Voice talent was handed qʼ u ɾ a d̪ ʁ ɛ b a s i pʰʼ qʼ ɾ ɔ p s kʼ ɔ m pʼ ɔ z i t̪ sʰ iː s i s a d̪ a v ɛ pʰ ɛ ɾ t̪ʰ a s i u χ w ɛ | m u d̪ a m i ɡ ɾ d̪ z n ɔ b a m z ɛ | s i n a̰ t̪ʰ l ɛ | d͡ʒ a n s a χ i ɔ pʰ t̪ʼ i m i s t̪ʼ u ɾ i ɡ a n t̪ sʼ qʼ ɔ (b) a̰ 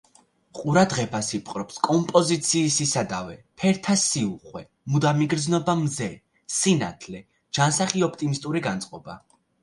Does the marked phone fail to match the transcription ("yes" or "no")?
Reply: no